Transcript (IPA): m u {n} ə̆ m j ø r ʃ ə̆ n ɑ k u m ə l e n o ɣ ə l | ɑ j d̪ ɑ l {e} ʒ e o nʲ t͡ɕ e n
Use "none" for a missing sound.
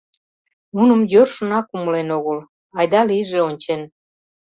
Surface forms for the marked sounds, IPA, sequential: n, i

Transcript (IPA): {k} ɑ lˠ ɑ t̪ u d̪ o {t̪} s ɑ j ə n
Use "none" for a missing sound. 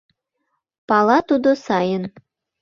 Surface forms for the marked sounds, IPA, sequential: p, none

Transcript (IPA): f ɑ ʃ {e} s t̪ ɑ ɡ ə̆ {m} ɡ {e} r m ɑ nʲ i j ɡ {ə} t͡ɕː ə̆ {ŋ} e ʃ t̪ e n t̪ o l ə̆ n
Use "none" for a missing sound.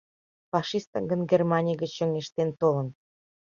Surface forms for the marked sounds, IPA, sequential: i, n, e, ə, ŋ

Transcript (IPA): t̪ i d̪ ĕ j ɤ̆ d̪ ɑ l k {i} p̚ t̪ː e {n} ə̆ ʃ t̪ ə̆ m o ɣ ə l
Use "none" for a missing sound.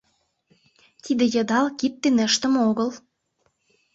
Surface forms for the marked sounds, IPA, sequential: i, n

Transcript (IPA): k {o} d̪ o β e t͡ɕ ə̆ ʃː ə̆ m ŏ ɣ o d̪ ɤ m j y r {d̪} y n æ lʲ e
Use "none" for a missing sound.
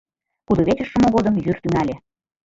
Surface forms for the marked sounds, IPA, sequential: u, t̪

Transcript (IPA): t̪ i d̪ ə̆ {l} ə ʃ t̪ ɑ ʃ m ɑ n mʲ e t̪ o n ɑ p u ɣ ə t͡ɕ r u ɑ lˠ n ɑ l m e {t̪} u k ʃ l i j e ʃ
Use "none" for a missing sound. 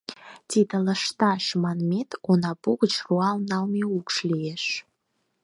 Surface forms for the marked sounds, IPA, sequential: l, none

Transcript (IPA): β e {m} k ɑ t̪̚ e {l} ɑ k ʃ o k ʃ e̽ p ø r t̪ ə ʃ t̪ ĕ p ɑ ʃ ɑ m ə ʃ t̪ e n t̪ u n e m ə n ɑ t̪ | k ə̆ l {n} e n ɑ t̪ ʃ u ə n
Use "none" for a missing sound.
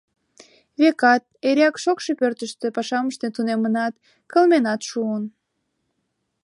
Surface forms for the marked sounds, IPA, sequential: none, ɾ, m

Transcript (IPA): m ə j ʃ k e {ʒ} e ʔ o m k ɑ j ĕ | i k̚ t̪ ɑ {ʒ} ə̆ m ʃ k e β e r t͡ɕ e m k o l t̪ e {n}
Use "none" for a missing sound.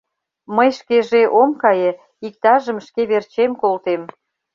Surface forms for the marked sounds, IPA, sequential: ʒ, ʒ, m

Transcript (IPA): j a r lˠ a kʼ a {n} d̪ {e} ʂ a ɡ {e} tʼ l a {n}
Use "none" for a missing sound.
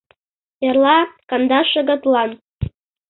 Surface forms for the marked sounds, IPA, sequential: n, a, a, n

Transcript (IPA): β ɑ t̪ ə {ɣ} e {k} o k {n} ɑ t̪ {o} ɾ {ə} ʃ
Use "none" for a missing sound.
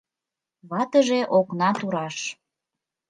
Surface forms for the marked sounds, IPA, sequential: ʒ, ʔ, n, u, ɑ

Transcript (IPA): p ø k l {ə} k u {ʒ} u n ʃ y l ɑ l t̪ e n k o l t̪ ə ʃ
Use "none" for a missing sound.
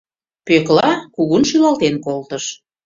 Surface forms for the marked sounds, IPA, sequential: ɑ, ɣ

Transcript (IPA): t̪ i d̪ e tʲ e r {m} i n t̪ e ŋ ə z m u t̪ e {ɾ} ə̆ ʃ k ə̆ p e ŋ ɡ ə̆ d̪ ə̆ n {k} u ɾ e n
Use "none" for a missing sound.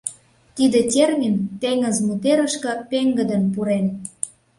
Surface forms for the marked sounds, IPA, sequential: m, ɾ, p

